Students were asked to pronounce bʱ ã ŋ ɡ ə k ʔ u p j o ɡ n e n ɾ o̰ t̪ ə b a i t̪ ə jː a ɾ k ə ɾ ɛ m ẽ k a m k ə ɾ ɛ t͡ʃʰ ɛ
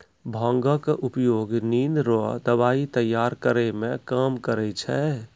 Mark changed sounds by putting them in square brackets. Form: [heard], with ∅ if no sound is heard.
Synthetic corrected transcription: bʱ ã ŋ ɡ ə k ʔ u p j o ɡ n [i] n ɾ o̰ [d̪] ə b a i t̪ ə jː a ɾ k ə ɾ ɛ m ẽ k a m k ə ɾ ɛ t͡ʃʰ ɛ